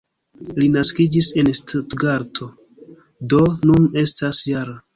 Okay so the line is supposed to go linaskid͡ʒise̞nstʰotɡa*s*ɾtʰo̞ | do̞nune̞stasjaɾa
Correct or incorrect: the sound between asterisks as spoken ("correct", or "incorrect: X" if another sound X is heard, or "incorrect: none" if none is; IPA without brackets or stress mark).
incorrect: none